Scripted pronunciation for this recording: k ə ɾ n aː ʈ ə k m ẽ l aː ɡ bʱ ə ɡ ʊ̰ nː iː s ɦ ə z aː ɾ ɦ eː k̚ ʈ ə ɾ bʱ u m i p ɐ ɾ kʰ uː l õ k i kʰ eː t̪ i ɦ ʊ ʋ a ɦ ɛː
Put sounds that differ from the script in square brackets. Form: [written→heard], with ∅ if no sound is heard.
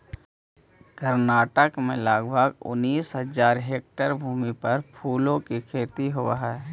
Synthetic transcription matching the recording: k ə ɾ n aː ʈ ə k m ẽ l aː ɡ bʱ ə ɡ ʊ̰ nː iː s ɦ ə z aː ɾ ɦ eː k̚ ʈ ə ɾ bʱ [u→uː] m i p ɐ ɾ [kʰ→pʰ] uː l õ k i kʰ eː t̪ i ɦ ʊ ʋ a ɦ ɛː